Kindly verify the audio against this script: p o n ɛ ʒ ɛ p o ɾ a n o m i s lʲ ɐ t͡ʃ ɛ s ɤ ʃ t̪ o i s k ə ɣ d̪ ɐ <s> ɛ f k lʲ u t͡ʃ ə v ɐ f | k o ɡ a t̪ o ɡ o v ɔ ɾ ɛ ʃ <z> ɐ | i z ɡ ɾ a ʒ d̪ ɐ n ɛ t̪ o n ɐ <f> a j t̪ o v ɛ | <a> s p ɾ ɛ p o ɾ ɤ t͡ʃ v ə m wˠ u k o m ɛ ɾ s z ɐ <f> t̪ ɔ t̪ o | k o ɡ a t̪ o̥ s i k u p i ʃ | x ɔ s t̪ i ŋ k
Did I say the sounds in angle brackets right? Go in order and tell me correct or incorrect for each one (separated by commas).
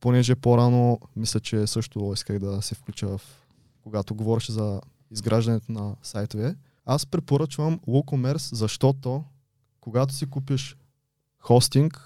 correct, correct, incorrect, correct, incorrect